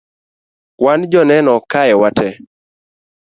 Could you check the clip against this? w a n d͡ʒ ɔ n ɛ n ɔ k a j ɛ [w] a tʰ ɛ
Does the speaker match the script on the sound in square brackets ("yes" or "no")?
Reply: yes